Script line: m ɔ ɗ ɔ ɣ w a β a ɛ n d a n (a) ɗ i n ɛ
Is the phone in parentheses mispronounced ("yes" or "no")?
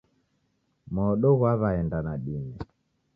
no